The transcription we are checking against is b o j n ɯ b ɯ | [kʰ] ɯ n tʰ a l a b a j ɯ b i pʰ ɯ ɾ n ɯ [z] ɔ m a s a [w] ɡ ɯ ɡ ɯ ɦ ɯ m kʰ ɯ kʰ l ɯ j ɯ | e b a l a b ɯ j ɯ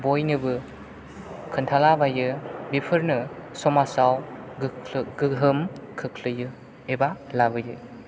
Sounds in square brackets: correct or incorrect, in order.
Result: correct, incorrect: s, correct

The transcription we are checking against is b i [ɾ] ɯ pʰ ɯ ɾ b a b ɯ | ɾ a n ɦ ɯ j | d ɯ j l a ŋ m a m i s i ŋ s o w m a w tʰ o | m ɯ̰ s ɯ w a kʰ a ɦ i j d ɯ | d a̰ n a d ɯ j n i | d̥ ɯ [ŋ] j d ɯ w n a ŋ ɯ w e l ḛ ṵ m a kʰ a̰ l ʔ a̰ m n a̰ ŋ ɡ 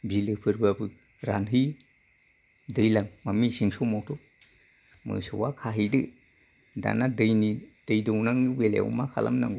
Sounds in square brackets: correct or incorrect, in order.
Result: incorrect: l, incorrect: none

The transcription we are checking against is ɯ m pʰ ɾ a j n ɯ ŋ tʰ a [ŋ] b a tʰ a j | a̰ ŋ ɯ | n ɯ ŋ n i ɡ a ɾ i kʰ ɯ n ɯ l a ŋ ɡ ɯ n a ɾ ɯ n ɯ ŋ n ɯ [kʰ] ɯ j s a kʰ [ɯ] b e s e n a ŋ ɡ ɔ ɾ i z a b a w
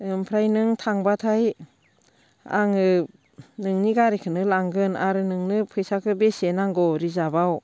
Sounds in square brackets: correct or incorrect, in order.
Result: correct, incorrect: pʰ, correct

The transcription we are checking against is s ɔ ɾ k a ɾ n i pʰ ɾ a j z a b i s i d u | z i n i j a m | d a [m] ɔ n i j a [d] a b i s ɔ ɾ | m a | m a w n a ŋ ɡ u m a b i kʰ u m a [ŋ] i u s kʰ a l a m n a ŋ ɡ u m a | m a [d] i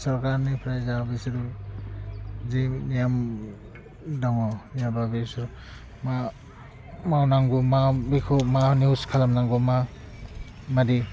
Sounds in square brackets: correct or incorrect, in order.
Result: incorrect: ŋ, incorrect: b, incorrect: n, correct

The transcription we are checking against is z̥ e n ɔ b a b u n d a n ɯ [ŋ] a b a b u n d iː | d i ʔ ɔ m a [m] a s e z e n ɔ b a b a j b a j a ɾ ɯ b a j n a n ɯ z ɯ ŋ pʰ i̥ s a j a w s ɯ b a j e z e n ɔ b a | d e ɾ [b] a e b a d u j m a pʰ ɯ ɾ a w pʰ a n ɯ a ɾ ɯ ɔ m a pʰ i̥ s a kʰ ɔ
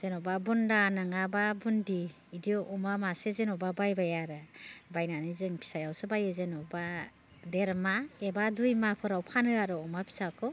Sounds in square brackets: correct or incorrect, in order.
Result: correct, correct, incorrect: m

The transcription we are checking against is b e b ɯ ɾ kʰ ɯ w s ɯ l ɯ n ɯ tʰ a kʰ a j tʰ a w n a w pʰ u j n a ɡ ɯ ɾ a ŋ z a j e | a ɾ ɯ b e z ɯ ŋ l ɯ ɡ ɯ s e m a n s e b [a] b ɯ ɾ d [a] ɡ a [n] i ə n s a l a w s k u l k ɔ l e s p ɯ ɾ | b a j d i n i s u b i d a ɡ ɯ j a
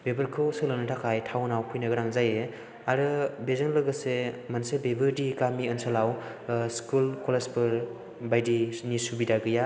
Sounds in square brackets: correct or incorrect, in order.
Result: incorrect: e, incorrect: i, incorrect: m

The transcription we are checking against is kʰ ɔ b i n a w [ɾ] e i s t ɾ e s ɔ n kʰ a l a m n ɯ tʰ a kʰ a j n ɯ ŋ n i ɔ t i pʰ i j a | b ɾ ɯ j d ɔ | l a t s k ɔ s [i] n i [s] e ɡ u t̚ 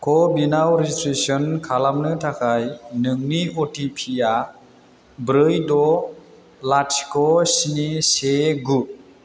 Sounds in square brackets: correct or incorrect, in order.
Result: correct, correct, correct

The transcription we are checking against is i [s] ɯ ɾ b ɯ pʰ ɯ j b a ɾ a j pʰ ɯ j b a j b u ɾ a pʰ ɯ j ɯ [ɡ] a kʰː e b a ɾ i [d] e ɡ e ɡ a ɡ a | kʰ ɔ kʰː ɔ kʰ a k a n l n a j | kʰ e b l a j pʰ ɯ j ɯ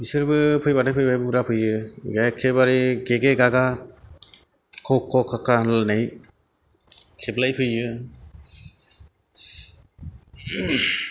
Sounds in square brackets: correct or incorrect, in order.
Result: correct, correct, incorrect: ɡ

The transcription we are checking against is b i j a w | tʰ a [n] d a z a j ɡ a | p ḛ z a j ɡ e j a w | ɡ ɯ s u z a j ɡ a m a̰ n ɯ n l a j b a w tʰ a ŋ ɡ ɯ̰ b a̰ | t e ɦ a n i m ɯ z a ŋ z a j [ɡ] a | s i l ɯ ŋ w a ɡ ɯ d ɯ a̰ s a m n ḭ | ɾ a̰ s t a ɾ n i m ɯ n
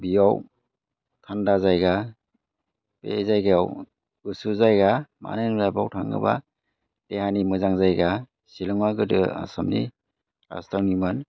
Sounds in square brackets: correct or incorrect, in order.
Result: correct, correct

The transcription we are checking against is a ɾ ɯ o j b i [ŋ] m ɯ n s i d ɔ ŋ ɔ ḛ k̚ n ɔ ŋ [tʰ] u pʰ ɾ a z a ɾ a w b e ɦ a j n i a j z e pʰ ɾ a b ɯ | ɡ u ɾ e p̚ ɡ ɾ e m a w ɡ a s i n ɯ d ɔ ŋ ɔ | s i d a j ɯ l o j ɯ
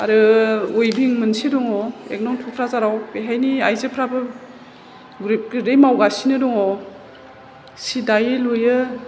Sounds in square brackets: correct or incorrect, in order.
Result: correct, correct

